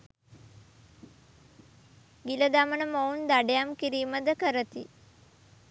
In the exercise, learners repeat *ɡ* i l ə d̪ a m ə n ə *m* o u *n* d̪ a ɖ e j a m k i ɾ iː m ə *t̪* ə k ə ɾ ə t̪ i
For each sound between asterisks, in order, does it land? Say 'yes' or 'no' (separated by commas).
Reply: yes, yes, yes, no